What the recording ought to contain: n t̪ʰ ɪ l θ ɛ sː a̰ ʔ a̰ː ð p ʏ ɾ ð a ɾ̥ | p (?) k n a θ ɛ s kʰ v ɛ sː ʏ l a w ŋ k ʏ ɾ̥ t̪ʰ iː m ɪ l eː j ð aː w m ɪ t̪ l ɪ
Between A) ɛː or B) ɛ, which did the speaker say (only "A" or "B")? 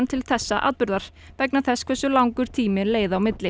B